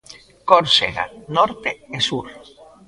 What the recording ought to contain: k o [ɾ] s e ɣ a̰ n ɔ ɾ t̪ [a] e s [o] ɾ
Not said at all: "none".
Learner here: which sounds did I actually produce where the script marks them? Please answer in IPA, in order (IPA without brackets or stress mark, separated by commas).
ɾ, e, u